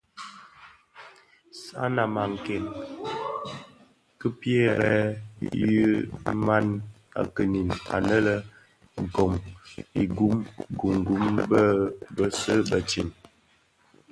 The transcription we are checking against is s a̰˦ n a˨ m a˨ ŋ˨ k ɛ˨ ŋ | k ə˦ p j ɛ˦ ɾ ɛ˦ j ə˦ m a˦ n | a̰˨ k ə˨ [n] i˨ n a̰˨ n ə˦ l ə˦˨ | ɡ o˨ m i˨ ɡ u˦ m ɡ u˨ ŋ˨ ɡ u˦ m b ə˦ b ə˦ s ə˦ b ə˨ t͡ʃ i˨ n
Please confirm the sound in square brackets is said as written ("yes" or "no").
yes